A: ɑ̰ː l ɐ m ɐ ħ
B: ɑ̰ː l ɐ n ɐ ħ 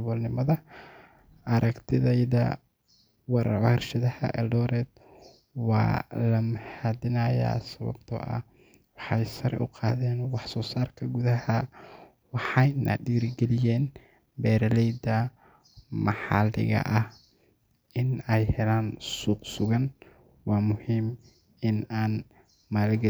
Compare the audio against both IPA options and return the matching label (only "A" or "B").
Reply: A